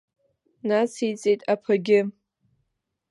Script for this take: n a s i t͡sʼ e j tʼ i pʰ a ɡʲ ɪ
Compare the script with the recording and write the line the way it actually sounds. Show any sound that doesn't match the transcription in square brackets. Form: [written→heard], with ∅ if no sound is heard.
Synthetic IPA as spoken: n a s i t͡sʼ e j tʼ [i→a] pʰ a ɡʲ ɪ